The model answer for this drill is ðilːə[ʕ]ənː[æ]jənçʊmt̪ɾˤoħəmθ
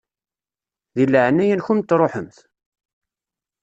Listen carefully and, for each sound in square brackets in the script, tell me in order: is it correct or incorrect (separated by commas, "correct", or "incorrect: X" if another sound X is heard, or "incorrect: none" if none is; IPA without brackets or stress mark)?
correct, correct